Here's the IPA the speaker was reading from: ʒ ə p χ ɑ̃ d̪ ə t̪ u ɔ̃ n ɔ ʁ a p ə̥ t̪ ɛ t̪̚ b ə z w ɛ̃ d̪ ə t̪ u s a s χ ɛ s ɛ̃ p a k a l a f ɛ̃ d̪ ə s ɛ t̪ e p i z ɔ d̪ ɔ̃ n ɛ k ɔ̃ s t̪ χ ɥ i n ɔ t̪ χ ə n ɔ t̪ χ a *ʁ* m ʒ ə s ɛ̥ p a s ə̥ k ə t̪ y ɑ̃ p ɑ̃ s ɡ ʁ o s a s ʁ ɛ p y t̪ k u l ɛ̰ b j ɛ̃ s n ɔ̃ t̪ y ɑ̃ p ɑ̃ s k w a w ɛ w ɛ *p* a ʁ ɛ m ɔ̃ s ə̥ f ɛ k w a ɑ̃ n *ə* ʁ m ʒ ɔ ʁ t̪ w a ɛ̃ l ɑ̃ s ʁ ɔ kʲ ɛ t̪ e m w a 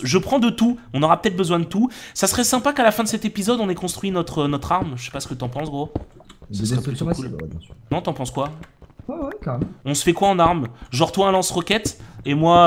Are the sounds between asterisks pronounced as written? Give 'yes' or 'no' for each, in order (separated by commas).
yes, no, no